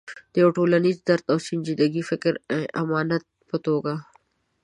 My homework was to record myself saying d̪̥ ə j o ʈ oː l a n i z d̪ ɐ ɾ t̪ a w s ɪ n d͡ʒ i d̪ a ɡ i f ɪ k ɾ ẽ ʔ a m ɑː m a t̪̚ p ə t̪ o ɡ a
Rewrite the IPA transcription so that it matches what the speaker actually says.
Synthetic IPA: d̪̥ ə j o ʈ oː l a n i z d̪ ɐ ɾ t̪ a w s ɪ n d͡ʒ i d̪ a ɡ i f ɪ k ɾ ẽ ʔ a m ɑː n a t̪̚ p ə t̪ o ɡ a